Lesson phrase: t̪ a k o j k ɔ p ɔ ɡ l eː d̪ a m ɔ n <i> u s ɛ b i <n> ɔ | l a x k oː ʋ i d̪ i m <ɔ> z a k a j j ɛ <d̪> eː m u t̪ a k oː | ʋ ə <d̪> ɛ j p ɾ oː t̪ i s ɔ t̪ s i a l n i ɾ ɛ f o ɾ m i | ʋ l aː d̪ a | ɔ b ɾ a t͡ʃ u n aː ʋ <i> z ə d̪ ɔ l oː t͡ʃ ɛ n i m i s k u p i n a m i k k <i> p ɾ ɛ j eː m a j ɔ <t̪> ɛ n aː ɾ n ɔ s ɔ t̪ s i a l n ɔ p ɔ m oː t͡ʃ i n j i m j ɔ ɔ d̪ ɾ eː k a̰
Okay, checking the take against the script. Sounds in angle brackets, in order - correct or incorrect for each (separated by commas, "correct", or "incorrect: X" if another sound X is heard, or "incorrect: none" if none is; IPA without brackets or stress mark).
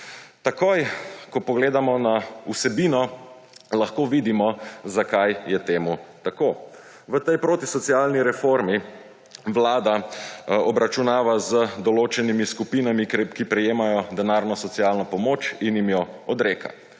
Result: incorrect: a, correct, correct, incorrect: t̪, incorrect: t̪, incorrect: a, correct, incorrect: d̪